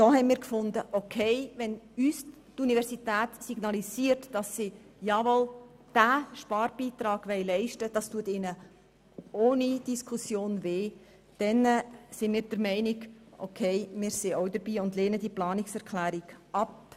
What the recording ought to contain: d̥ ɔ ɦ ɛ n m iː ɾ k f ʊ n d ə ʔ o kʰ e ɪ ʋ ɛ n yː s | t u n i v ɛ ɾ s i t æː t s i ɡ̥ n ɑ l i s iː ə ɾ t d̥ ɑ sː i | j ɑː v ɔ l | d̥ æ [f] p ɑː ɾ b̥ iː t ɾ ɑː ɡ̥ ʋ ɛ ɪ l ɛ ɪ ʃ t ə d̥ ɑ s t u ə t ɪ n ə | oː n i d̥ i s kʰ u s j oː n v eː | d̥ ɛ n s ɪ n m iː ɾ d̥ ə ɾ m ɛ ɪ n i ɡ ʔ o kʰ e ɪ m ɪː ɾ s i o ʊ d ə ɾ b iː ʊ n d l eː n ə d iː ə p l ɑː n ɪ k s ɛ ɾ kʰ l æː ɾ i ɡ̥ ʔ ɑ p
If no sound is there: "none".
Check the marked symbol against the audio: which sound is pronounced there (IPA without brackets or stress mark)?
ʃ